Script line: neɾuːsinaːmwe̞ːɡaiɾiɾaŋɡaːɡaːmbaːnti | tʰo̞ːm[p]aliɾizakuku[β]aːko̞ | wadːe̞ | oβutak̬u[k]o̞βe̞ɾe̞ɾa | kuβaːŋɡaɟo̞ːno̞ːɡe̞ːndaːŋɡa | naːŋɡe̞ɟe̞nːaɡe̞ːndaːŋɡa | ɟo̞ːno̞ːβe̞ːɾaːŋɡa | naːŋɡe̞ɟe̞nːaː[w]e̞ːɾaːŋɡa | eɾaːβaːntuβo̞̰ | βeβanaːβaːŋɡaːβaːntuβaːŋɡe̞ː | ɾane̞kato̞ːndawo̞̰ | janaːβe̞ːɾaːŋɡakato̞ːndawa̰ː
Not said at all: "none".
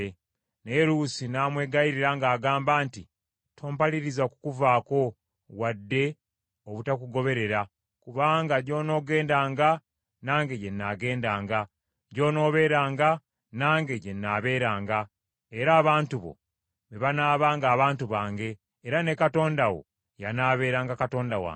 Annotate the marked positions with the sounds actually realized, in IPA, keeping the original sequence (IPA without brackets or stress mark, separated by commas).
p, v, ɡ, β